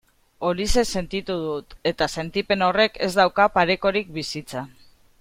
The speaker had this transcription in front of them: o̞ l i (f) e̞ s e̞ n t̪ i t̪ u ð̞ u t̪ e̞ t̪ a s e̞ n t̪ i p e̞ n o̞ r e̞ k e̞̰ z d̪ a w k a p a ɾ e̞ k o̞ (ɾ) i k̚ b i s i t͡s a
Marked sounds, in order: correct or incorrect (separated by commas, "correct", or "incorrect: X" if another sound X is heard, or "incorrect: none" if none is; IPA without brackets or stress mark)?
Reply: incorrect: s, correct